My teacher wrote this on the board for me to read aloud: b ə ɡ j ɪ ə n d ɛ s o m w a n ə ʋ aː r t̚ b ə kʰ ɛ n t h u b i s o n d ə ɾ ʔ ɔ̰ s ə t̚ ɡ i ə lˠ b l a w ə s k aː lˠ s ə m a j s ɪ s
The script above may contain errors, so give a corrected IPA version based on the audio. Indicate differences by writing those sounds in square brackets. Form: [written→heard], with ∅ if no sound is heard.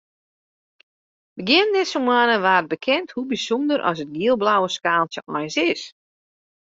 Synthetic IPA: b ə ɡ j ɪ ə n d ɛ s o m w a n ə ʋ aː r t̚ b ə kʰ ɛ n t h u b i s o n d ə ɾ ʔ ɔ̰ s ə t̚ ɡ i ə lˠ b l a w ə s k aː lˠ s ə m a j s ɪ s